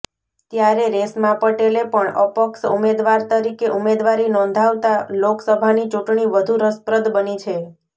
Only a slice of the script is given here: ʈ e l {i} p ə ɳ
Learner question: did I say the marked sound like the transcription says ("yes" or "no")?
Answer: no